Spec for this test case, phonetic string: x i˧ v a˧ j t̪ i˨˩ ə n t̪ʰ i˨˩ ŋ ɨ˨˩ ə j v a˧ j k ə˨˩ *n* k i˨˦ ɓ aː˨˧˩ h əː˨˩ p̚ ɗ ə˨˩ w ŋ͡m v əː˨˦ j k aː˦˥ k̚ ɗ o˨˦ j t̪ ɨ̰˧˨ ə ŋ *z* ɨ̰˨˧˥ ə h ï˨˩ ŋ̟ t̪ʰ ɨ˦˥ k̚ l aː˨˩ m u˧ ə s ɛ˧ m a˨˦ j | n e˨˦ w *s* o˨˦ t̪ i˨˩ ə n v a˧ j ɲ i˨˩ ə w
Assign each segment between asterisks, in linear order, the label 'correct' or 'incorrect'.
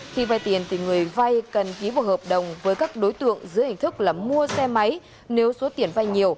correct, correct, correct

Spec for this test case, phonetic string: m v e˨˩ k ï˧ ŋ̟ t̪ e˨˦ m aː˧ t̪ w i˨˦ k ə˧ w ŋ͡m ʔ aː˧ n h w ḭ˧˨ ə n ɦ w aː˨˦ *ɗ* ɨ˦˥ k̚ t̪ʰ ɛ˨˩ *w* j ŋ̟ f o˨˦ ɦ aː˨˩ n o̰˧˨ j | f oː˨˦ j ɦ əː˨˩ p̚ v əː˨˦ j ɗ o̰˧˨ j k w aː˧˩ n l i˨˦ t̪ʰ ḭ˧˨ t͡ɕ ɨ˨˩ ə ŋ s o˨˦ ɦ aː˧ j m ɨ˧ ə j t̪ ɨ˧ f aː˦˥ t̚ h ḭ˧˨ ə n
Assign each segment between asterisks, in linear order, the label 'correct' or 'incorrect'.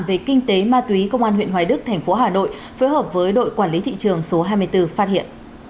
correct, incorrect: none

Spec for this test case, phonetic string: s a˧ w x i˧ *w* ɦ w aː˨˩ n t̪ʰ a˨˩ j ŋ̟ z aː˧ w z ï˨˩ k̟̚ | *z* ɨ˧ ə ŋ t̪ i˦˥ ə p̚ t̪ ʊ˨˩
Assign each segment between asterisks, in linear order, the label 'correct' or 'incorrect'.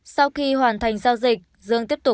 incorrect: none, correct

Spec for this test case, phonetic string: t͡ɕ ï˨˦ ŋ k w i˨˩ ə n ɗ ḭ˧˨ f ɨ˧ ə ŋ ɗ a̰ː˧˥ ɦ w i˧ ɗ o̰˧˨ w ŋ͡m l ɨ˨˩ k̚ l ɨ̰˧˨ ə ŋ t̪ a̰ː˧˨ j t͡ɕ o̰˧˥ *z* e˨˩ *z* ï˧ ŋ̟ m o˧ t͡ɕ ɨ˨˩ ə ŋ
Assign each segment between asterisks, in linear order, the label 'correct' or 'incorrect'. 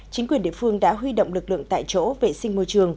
incorrect: v, incorrect: s

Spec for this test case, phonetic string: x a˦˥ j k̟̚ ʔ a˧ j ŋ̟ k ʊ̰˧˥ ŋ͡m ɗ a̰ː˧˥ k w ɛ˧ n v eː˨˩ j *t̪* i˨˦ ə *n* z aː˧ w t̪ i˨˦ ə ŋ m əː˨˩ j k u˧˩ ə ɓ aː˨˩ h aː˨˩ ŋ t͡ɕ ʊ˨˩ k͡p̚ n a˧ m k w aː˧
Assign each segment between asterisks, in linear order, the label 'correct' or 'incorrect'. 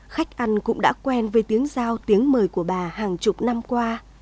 correct, incorrect: ŋ

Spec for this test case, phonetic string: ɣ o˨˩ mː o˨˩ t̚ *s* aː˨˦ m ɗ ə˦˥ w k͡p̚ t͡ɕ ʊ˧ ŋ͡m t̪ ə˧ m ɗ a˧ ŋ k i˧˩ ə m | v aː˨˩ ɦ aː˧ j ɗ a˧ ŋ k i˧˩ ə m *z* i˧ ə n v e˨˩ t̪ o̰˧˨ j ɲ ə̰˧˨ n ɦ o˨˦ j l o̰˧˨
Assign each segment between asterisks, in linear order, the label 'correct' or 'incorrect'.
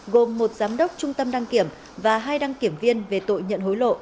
incorrect: z, incorrect: v

